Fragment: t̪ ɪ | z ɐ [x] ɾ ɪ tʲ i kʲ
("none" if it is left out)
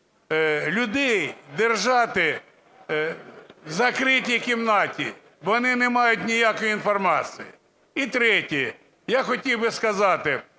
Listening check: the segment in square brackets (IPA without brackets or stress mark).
k